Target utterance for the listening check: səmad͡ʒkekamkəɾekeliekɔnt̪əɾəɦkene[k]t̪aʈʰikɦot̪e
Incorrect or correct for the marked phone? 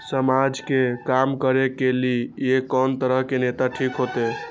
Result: incorrect: none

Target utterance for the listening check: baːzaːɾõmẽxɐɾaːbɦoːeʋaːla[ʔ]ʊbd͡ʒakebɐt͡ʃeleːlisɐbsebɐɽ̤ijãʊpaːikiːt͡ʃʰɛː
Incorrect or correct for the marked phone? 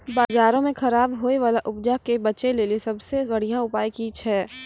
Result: correct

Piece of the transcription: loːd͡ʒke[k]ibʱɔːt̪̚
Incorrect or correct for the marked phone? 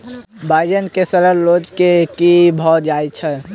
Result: correct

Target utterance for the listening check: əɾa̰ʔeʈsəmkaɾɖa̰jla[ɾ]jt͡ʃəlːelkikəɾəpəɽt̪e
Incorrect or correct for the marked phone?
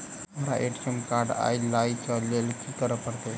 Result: incorrect: none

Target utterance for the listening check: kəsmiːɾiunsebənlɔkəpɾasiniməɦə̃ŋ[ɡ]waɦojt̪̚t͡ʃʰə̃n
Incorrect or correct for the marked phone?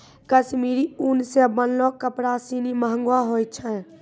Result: correct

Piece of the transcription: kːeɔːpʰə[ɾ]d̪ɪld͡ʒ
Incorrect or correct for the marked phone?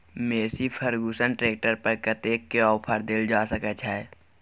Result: correct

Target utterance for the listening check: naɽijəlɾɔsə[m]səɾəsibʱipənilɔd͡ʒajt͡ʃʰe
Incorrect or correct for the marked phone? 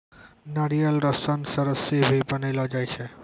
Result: incorrect: n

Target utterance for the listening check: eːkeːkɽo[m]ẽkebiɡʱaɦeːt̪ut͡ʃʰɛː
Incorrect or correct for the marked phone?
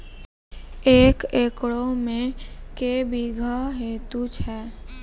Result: correct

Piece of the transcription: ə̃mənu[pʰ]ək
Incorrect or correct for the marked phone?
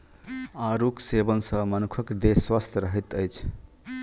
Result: incorrect: kʰ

